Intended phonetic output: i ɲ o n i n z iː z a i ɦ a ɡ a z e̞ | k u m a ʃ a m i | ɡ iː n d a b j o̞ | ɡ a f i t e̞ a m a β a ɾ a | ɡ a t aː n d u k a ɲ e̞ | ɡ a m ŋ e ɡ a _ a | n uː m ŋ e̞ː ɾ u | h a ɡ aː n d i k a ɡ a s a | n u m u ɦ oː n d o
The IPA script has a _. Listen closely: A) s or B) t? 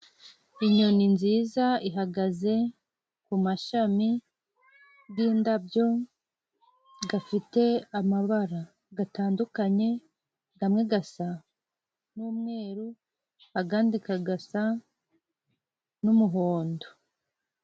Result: A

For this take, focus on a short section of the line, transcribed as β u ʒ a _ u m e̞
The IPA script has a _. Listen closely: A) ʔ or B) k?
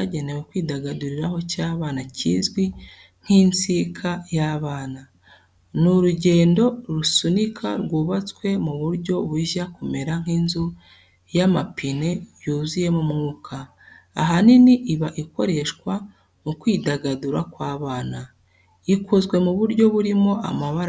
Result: B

